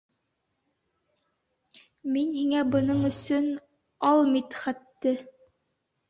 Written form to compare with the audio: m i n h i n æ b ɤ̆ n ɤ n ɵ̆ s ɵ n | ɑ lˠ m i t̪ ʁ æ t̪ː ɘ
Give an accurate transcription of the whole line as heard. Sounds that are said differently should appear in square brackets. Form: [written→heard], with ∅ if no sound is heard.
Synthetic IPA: m i n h i [n→ŋ] æ b ɤ̆ n ɤ [n→ɴ] ɵ̆ s ɵ n | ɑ lˠ m i t̪ [ʁ→χ] æ t̪ː ɘ